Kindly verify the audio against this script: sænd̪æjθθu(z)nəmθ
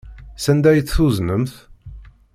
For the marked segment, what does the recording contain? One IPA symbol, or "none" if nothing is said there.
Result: z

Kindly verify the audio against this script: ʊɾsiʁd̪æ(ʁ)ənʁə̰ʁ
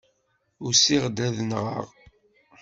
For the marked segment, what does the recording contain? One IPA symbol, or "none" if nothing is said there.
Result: ð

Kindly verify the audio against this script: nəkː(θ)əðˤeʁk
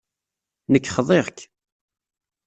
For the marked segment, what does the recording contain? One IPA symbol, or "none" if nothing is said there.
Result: χ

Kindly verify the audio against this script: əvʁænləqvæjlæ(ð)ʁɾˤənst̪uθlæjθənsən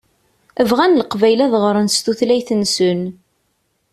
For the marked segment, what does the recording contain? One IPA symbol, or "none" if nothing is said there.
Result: ð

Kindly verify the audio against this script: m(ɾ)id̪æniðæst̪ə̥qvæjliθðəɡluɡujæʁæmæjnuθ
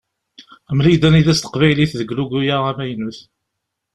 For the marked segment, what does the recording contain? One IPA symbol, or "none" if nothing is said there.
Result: l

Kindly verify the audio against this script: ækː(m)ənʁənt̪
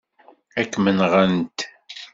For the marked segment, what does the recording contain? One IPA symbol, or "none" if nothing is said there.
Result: m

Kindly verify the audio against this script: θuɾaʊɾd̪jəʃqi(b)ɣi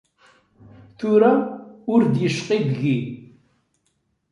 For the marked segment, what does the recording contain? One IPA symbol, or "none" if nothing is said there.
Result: b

